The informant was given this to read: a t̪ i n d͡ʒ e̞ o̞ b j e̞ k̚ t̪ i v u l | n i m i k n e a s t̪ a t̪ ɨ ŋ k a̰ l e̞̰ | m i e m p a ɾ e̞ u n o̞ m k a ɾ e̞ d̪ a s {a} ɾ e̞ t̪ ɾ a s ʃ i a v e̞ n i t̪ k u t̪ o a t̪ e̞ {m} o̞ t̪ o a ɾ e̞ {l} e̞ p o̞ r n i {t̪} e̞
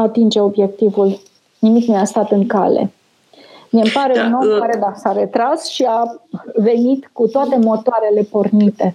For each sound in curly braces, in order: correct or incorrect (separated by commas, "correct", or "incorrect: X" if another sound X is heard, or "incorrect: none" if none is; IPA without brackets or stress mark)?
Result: correct, correct, correct, correct